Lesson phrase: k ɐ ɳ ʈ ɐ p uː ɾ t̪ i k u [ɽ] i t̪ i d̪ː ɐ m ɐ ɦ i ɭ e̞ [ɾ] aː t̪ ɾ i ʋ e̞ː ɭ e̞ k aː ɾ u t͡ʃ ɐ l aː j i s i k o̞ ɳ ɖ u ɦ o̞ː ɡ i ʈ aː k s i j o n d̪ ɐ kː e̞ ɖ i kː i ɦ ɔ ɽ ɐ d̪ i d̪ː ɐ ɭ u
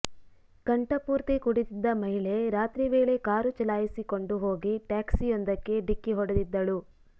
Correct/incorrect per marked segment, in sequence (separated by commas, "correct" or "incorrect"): correct, correct